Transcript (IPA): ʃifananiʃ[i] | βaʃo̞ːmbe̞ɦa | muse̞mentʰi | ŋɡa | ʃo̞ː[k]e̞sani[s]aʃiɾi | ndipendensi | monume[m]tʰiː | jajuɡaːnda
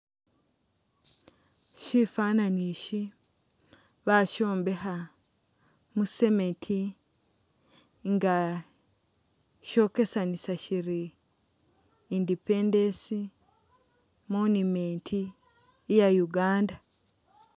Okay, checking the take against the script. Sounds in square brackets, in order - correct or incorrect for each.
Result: correct, correct, correct, incorrect

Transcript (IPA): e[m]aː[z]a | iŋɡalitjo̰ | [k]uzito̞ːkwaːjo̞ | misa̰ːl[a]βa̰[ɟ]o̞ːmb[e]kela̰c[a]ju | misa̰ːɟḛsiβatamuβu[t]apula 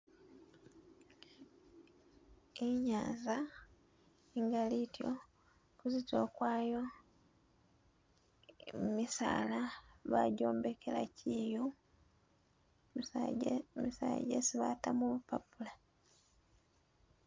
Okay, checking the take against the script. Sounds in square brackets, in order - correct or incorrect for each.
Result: incorrect, correct, correct, correct, correct, correct, incorrect, incorrect

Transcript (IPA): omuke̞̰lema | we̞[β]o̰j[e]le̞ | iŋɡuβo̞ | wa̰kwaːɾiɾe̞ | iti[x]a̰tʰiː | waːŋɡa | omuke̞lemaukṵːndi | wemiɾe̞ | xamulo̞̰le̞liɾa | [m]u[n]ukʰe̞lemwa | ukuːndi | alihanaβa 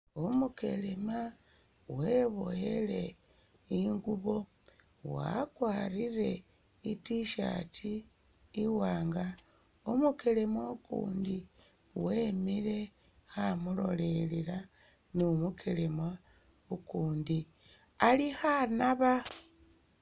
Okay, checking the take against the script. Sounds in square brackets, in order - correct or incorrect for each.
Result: correct, correct, incorrect, incorrect, incorrect

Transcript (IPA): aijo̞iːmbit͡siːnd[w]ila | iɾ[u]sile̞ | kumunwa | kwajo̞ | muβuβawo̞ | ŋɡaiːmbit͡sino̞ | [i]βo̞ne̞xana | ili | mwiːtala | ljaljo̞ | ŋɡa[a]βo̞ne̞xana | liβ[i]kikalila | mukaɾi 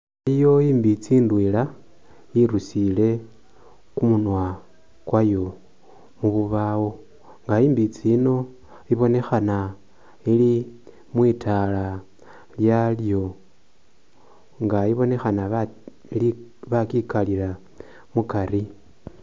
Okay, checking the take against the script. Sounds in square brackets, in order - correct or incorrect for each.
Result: correct, correct, correct, incorrect, incorrect

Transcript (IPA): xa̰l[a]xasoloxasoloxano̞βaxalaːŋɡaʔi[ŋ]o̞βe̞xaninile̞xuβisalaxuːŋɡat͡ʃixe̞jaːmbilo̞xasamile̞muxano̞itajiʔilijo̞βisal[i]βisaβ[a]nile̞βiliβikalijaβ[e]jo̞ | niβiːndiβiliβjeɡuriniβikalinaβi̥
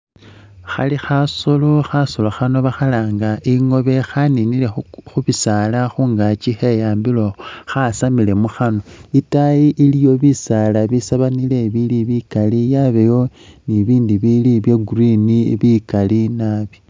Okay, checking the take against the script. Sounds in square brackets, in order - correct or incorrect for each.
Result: incorrect, correct, incorrect, correct, correct

